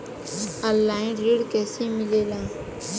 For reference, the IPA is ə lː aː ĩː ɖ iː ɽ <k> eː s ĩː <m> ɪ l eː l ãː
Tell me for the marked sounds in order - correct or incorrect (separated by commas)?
correct, correct